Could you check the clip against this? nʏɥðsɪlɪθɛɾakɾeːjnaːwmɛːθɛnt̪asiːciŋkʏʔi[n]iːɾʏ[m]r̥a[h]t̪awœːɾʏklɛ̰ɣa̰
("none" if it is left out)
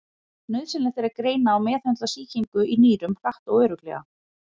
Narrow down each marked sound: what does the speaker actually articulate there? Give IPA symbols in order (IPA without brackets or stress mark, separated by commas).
n, m, h